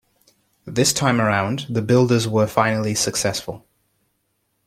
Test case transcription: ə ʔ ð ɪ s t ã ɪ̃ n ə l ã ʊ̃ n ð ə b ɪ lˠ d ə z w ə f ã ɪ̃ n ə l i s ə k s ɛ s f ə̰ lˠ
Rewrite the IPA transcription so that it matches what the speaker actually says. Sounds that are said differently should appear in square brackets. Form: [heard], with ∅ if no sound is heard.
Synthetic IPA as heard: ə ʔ ð ɪ s [tʰ] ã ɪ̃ [m] ə [ɹ] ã ʊ̃ n ð ə b ɪ lˠ d ə z w ə f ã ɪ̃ n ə l i s ə k s ɛ s f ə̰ lˠ